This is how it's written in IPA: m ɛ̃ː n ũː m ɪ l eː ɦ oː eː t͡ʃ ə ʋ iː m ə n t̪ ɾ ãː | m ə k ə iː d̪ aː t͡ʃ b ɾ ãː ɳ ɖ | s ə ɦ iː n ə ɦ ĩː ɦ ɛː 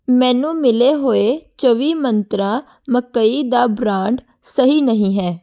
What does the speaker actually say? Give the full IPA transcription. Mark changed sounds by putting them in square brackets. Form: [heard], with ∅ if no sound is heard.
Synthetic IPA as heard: m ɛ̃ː n ũː m ɪ l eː ɦ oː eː t͡ʃ ə ʋ iː m ə n t̪ ɾ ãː | m ə k ə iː d̪ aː [∅] b ɾ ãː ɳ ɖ | s ə ɦ iː n ə ɦ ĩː ɦ ɛː